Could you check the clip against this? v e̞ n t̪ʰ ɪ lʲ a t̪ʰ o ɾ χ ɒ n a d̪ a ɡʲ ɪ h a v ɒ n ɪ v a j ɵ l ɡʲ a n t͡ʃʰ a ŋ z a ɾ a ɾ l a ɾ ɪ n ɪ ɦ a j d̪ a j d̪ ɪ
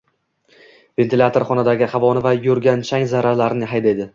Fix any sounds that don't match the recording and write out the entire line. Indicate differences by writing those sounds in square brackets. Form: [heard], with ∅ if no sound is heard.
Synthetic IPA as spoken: v e̞ n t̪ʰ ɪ lʲ a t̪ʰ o ɾ χ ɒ n a d̪ a ɡʲ ɪ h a v ɒ n ɪ v a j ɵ [ɾ] ɡʲ a n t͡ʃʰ a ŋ z a ɾ a ɾ l a ɾ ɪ n ɪ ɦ a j d̪ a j d̪ ɪ